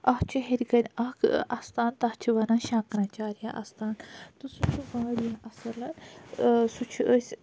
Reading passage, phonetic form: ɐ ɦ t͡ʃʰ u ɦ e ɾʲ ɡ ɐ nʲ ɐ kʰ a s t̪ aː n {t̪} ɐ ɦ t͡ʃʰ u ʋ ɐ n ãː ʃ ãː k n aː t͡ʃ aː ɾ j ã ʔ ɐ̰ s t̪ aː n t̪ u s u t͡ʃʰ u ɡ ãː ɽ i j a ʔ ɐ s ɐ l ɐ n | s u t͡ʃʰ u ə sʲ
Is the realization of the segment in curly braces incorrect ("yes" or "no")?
no